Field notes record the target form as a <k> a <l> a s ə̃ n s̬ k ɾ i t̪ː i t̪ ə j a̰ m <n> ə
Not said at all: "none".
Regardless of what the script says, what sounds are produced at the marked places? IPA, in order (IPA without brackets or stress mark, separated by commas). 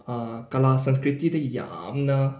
k, l, n